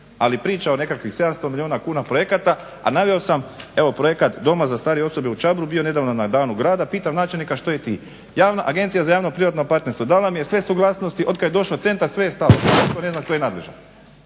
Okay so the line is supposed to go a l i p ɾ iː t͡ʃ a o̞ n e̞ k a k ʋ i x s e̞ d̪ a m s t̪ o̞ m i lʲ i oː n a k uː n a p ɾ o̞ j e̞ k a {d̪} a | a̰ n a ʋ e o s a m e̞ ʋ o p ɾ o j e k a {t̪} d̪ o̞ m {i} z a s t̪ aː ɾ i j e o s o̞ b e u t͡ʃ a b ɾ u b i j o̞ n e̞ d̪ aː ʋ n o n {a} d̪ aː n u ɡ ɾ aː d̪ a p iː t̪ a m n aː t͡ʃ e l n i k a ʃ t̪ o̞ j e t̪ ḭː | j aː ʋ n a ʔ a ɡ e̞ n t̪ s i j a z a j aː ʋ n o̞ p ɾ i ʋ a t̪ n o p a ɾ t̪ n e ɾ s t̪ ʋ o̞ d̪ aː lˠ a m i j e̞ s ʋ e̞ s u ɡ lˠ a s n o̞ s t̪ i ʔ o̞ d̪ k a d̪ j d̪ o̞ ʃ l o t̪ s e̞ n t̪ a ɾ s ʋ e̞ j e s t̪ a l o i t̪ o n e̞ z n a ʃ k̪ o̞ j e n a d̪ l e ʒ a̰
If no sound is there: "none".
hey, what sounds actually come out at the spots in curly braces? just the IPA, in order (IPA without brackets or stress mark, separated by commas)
t̪, t̪, a, a